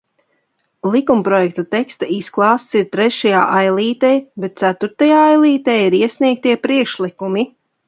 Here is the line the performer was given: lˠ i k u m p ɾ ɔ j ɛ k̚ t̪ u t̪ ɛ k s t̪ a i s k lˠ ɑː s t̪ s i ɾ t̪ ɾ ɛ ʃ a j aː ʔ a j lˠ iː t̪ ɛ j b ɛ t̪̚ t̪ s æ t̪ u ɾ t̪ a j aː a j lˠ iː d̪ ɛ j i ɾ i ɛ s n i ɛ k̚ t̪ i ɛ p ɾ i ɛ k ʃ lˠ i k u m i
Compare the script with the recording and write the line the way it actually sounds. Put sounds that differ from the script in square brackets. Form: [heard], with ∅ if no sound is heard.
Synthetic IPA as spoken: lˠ i k u m p ɾ ɔ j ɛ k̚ t̪ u t̪ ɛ k s t̪ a i s k lˠ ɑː s t̪ s i ɾ t̪ ɾ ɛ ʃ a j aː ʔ a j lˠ iː t̪ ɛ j b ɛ t̪̚ t̪ s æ t̪ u ɾ t̪ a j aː a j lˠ iː [t̪] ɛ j i ɾ i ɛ s n i ɛ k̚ t̪ i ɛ p ɾ i ɛ k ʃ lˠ i k u m i